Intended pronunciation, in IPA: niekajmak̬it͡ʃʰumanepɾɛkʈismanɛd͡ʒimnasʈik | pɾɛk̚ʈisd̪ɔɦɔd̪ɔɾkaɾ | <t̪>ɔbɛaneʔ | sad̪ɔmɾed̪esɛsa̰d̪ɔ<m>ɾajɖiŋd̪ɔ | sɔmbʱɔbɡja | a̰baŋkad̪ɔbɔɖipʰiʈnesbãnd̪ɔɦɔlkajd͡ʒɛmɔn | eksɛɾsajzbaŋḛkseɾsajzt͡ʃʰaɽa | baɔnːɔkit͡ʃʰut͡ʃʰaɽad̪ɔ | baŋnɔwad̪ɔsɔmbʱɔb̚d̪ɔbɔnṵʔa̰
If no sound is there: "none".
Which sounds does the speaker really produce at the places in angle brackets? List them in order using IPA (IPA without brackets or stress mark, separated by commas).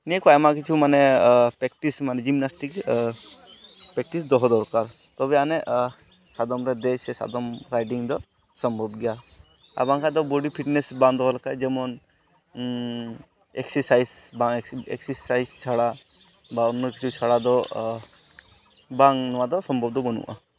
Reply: t̪, m